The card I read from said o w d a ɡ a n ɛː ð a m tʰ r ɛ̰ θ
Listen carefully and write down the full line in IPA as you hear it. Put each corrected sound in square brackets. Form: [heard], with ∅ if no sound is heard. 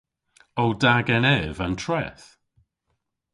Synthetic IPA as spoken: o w d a ɡ [ɛ] n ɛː [v] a [n] tʰ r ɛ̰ θ